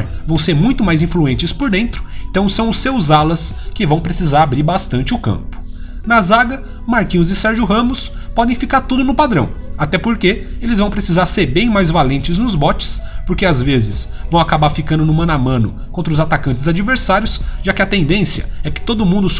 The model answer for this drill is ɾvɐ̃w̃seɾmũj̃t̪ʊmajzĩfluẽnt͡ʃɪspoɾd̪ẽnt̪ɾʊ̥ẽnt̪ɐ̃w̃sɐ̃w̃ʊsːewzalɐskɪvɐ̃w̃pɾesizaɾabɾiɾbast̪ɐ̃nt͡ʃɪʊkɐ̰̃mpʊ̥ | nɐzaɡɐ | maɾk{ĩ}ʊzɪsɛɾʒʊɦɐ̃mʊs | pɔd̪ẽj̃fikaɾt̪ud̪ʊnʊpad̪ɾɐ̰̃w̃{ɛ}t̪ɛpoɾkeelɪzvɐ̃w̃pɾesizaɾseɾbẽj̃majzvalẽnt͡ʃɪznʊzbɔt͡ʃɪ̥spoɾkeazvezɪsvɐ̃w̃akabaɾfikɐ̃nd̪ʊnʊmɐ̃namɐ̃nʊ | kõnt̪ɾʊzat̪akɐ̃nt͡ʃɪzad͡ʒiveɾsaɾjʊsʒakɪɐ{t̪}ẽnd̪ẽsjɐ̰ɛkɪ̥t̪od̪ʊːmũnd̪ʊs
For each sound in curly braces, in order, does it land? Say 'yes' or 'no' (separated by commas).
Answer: yes, no, yes